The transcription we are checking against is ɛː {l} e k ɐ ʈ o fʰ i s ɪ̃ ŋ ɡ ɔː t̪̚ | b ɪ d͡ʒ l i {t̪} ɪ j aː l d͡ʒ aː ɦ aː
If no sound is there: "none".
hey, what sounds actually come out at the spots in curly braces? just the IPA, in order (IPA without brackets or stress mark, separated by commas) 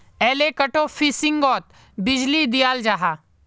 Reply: l, d̪